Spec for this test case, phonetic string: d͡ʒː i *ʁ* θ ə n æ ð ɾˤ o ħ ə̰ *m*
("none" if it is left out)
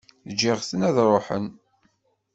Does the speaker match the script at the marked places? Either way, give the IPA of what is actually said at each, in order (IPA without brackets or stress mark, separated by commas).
ʁ, n